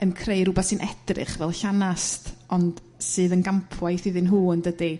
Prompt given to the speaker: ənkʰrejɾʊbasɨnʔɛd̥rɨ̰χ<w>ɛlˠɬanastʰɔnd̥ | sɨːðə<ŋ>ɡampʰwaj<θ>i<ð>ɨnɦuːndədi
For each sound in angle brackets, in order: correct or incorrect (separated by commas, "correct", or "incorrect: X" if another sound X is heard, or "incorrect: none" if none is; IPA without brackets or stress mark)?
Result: incorrect: v, incorrect: n, correct, correct